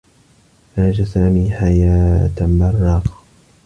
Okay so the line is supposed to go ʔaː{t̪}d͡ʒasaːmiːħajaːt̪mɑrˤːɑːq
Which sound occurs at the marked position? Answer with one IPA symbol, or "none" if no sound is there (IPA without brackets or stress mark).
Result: none